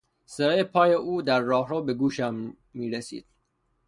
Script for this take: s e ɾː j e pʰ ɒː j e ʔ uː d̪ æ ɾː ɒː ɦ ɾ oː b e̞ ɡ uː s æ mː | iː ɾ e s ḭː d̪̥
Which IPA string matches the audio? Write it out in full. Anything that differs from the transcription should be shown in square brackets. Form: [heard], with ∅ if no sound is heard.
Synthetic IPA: s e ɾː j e pʰ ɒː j e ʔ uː d̪ æ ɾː ɒː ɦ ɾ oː b e̞ ɡ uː [ʃ] æ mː | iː ɾ e s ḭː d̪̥